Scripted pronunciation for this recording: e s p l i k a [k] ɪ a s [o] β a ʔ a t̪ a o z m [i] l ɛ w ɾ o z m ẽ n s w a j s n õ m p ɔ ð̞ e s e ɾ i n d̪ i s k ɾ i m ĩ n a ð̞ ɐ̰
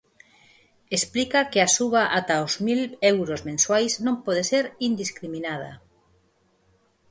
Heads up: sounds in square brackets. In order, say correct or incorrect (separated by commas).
correct, incorrect, correct